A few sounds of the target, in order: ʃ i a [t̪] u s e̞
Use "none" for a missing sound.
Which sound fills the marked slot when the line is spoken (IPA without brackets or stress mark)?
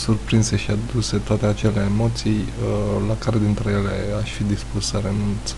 d̪